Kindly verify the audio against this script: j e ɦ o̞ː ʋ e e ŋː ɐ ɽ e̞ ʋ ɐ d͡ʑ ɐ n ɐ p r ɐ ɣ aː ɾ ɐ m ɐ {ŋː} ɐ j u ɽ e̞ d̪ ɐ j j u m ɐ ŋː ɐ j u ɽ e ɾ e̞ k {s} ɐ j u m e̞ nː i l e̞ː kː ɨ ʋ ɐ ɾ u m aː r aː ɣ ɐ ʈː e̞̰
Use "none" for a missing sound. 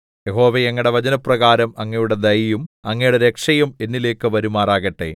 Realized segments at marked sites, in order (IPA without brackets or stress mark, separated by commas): ŋː, ʂ